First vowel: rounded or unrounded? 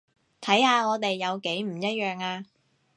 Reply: unrounded